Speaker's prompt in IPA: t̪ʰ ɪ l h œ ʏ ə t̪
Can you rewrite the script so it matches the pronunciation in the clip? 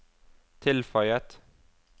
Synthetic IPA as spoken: t̪ʰ ɪ l f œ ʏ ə t̪